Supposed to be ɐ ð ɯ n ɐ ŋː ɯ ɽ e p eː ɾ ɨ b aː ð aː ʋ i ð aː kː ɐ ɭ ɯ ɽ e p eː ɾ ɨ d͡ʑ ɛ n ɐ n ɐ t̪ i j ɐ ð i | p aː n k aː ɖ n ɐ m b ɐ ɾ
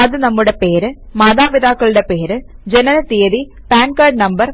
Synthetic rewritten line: ɐ ð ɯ n ɐ mː ɯ ɽ e p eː ɾ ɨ m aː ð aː ʋ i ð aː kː ɐ ɭ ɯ ɽ e p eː ɾ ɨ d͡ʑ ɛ n ɐ n ɐ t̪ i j ɐ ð i | p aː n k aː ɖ n ɐ m b ɐ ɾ